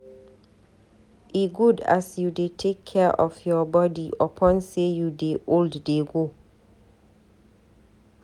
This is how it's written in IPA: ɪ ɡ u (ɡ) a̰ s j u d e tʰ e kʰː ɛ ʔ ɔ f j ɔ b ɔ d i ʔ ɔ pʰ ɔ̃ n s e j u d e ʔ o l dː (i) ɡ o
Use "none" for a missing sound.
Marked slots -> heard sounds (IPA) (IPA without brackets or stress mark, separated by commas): d, e